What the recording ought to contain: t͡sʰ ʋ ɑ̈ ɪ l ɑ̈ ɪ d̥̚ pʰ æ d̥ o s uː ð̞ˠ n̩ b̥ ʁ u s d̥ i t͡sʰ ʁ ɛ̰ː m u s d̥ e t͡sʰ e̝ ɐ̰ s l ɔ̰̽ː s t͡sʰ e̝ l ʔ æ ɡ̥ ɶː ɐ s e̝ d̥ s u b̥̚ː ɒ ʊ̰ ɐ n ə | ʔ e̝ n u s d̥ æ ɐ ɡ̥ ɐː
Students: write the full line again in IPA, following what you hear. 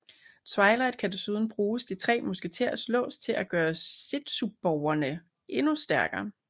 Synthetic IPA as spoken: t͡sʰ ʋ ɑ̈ ɪ l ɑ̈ ɪ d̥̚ kʰ æ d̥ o s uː ð̞ˠ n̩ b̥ ʁ uː s d̥ i t͡sʰ ʁ ɛ̰ː m u s ɡ̥ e t͡sʰ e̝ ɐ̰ s l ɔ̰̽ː s t͡sʰ e̝ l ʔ æ ɡ̥ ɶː ɐ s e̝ d̥ s u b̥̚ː ɒ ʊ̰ ɐ n ə | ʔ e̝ n u s d̥ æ ɐ ɡ̥ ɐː